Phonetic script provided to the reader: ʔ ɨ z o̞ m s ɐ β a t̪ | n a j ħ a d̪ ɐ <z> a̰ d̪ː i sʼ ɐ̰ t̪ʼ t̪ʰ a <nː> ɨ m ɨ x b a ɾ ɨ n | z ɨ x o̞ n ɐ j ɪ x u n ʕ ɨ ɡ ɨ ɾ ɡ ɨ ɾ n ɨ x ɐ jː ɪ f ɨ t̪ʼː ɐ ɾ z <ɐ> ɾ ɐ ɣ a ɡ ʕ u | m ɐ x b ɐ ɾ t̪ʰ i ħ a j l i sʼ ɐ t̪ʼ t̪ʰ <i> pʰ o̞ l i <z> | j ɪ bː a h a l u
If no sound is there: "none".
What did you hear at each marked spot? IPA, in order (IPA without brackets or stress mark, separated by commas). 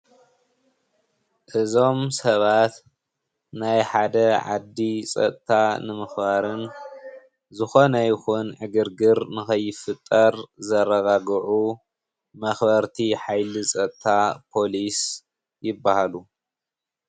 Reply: ʕ, n, ɐ, a, s